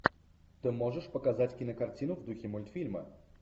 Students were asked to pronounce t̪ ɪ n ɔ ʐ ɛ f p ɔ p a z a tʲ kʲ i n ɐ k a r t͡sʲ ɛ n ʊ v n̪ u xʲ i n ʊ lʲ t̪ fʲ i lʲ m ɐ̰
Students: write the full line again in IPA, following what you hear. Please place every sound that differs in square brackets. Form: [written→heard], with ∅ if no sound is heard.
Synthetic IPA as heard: t̪ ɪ [n→m] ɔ ʐ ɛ [f→ʂ] p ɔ [p→k] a z a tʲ kʲ i n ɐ k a r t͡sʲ [ɛ→i] n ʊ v [n̪→d̪] u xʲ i [n→m] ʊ lʲ t̪ fʲ i lʲ m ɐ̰